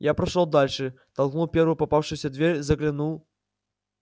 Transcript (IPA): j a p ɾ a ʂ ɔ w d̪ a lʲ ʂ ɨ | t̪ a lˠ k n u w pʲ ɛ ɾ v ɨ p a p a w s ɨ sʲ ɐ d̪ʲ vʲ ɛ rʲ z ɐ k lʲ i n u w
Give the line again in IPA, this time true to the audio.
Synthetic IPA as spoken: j a p ɾ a ʂ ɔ w d̪ a lʲ ʂ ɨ | t̪ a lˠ k n u w pʲ ɛ ɾ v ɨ p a p a w ʂ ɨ sʲ ɐ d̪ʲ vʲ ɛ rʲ z ɐ k lʲ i n u w